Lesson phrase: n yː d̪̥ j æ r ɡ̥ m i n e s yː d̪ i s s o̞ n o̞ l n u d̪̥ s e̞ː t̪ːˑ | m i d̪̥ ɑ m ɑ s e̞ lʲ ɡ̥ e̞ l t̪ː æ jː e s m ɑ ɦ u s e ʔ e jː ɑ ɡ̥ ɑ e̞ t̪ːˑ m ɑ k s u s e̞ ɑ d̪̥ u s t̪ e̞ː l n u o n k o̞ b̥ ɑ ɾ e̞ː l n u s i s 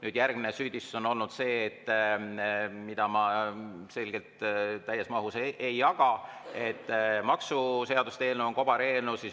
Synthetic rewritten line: n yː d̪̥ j æ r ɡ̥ m i n e s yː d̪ i s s o̞ n o̞ l n u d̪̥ s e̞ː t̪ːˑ | m i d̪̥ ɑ m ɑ s e̞ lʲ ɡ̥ e̞ l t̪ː æ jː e s m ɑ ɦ u s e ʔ e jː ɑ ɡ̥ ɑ e̞ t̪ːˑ m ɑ k s u s e̞ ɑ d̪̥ u s t̪ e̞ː l n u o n k o̞ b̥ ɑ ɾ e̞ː l n u s i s